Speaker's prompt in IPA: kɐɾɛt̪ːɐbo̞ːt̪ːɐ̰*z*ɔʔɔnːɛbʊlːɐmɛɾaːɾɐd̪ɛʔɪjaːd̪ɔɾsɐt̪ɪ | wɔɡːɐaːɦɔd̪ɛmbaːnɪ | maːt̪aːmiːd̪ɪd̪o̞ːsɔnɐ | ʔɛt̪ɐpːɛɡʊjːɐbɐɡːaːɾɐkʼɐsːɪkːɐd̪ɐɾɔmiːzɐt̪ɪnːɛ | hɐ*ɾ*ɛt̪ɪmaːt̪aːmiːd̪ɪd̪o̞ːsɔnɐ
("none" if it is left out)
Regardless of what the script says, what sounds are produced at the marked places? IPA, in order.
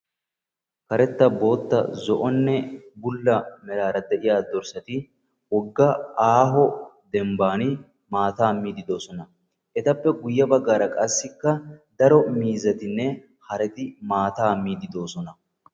z, ɾ

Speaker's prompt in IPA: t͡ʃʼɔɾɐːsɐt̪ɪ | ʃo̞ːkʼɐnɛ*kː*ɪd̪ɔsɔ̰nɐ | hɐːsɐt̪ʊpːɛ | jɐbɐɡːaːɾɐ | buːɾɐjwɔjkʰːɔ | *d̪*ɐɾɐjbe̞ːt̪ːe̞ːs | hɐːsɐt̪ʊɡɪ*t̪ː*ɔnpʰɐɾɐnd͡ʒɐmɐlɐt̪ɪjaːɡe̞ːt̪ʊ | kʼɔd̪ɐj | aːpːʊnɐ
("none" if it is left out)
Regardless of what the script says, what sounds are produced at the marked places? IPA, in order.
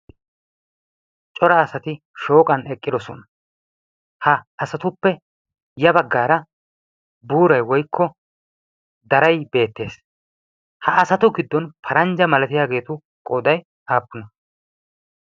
kʼː, d̪, d̪ː

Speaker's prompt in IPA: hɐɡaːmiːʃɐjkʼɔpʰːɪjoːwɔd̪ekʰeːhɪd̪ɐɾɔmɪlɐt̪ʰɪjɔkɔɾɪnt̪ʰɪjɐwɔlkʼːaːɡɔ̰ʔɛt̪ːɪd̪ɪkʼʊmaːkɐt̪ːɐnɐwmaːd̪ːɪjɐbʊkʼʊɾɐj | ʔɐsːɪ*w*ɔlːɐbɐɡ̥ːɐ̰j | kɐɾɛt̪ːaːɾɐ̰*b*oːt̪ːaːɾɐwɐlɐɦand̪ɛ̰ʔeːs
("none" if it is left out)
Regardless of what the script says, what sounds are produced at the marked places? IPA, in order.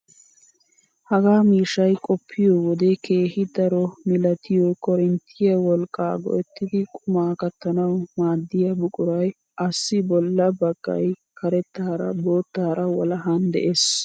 b, b

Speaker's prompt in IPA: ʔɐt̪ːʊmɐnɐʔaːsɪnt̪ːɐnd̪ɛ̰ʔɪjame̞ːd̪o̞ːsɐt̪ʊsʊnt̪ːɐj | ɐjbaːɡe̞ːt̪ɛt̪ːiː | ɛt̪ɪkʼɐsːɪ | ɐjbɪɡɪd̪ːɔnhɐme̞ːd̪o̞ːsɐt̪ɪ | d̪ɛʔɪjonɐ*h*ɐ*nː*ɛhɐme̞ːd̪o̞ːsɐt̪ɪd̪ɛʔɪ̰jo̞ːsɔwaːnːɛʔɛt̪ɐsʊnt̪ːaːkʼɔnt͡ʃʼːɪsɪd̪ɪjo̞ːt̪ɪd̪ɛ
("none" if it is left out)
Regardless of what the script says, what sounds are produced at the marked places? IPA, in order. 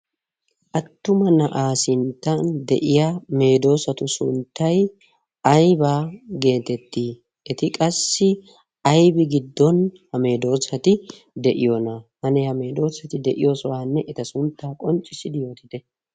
h, n

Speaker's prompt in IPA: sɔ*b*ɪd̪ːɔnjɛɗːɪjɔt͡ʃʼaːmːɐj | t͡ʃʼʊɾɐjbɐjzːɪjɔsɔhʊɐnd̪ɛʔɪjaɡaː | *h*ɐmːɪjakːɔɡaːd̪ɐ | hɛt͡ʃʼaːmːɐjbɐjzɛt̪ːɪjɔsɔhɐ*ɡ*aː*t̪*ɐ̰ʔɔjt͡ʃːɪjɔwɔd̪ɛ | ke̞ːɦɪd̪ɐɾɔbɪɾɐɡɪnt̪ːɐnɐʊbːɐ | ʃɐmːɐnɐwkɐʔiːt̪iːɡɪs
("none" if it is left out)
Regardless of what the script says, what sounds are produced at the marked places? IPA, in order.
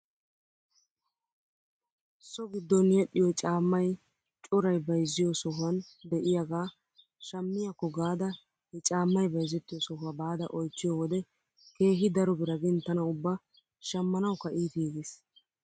ɡ, ʃ, b, d̪

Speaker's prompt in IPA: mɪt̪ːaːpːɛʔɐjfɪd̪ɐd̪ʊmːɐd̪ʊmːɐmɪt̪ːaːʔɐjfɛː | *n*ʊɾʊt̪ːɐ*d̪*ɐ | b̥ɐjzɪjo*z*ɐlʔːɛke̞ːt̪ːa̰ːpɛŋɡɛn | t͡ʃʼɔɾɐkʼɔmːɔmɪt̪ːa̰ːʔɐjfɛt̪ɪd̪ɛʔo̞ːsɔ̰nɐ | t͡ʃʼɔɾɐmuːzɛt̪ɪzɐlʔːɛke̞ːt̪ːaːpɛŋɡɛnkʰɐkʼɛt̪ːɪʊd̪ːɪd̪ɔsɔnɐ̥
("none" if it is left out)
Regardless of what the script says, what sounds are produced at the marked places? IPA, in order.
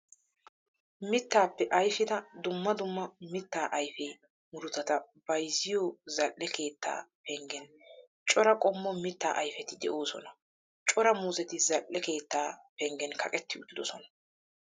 m, t̪, z

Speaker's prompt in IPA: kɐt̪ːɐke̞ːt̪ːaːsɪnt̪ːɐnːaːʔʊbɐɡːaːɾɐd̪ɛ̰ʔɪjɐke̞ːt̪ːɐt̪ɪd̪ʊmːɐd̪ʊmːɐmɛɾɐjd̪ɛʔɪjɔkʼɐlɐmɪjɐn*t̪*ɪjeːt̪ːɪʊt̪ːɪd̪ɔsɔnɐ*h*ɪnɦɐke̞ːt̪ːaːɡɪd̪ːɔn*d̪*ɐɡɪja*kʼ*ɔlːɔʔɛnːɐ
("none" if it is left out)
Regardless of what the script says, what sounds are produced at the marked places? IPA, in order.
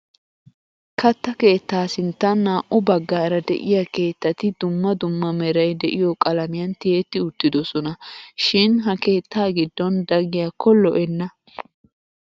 t̪, ʃ, d̪, k

